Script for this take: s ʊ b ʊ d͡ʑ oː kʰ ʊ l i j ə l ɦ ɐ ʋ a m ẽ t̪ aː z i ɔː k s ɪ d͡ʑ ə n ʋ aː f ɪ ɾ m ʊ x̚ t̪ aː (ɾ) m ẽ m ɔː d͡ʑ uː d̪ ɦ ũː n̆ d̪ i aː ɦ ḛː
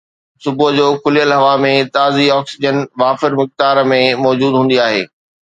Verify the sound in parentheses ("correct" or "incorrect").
correct